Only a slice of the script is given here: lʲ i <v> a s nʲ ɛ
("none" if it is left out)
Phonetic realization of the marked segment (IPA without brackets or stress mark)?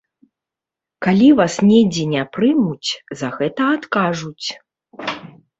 v